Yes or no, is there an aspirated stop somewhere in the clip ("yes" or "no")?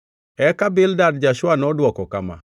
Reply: no